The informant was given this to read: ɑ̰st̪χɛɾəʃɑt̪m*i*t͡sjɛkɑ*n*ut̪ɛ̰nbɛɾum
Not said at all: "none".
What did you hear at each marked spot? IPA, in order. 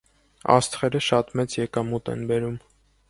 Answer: ɛ, m

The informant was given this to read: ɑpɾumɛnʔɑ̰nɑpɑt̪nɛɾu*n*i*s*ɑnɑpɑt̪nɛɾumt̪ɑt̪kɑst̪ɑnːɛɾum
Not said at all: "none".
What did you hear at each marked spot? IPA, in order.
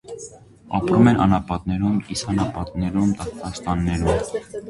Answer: m, s

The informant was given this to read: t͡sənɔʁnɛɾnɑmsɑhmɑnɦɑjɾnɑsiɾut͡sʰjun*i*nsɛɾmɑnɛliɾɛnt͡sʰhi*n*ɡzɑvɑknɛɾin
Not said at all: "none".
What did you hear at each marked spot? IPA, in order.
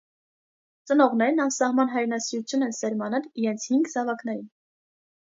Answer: ɛ, ŋ

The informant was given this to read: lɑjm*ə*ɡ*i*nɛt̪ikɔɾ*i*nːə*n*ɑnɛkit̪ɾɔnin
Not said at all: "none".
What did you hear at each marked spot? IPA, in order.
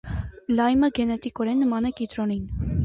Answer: ə, ɛ, ɛ, m

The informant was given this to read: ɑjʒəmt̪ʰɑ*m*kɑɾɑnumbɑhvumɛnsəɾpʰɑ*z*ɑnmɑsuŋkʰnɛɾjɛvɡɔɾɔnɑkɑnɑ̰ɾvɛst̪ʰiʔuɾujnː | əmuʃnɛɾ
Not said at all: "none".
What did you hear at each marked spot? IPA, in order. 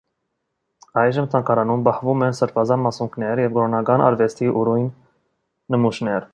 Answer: ŋ, z

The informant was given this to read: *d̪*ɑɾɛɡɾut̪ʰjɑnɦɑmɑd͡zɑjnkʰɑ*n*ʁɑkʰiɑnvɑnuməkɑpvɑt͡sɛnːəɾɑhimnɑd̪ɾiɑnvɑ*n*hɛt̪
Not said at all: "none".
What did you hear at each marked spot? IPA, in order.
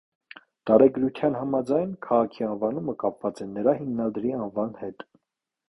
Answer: t̪, none, n

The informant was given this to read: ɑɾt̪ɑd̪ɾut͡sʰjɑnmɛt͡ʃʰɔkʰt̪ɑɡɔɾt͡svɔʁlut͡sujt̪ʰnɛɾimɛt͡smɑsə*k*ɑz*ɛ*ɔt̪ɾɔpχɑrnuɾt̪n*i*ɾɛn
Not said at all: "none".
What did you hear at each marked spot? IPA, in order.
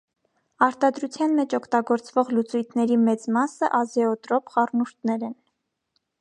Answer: ʔ, ɛ, ɛ

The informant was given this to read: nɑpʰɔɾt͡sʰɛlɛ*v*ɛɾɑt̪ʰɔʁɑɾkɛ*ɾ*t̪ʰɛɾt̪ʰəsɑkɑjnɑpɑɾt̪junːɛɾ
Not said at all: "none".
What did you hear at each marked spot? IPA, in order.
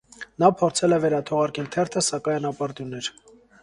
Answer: v, l

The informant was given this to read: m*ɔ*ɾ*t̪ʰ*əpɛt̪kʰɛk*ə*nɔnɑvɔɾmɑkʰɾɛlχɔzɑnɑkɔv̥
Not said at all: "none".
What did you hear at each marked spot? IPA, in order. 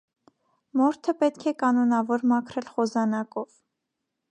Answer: ɔ, t̪ʰ, ɑ

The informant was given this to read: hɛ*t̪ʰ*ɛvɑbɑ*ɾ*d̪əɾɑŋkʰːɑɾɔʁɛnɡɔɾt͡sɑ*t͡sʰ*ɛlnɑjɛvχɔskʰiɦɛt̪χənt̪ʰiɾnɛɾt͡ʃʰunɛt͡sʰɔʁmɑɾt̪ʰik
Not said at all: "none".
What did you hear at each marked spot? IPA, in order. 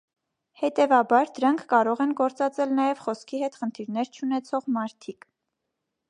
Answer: t̪, ɾ, t͡s

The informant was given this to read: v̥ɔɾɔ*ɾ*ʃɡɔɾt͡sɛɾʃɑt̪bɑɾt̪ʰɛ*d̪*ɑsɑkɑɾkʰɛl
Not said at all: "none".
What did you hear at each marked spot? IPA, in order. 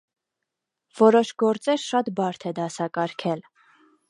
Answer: none, d̪

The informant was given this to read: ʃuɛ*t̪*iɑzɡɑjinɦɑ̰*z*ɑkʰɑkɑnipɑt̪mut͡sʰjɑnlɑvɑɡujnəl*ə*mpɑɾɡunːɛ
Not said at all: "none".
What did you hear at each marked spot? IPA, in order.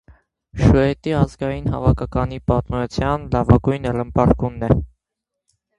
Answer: t̪, v, ə

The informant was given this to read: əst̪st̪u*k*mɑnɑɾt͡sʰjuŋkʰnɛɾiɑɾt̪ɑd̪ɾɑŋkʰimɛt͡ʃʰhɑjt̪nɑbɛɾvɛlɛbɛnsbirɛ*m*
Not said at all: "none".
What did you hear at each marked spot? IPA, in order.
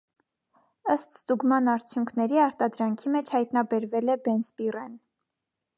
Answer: ɡ, n

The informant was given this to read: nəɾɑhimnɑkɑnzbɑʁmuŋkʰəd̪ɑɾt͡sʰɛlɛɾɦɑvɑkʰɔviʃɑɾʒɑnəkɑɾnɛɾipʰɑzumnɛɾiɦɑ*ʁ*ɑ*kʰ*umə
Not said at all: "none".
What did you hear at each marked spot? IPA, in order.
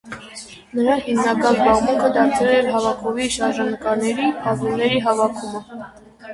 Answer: v, kʰ

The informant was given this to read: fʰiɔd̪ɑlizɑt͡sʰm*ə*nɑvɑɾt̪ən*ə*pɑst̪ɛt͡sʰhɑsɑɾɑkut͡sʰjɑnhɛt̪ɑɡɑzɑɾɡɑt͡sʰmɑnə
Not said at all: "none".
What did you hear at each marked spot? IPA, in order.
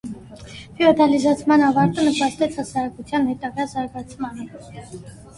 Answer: ɑ, ə

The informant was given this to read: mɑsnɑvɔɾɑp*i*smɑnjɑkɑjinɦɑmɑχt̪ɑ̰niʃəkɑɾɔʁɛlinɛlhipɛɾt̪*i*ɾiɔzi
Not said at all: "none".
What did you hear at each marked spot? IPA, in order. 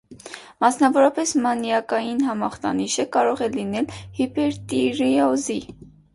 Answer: ɛ, i

